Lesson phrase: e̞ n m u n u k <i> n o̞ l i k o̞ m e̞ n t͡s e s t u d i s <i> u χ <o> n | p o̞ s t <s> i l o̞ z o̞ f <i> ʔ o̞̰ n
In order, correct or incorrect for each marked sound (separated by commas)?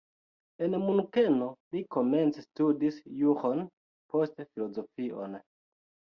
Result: incorrect, incorrect, correct, incorrect, correct